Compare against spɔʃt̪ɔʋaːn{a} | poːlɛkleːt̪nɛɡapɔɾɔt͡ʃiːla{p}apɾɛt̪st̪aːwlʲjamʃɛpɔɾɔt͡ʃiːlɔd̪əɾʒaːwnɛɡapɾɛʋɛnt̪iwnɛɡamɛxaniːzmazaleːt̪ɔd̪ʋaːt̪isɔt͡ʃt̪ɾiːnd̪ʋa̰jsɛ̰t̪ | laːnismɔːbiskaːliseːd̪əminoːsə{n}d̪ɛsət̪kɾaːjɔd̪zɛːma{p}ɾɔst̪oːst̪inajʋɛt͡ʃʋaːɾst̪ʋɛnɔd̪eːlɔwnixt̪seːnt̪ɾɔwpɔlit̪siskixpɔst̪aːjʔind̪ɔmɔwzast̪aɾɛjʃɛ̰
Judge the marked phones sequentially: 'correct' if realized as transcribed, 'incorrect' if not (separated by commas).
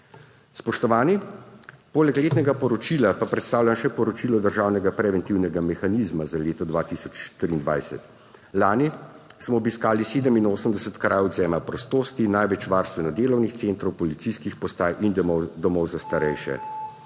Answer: incorrect, correct, incorrect, correct